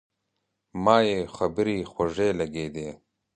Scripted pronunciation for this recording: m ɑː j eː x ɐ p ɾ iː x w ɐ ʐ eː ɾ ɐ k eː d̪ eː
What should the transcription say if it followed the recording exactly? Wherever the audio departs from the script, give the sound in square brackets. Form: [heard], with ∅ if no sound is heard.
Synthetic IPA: m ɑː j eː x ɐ [b] ɾ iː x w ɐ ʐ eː [l] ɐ [ɡ] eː d̪ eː